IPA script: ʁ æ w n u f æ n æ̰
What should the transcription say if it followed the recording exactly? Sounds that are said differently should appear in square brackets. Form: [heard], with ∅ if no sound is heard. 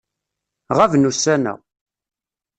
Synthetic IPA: ʁ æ [v] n u [s] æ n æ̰